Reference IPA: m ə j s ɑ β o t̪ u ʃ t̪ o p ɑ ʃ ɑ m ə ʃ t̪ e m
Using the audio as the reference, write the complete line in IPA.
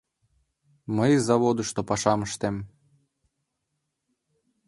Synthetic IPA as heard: m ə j z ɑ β o d̪ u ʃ t̪ o p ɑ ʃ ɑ m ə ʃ t̪ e m